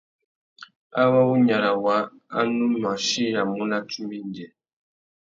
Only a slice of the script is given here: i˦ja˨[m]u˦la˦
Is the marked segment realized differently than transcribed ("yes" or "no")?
no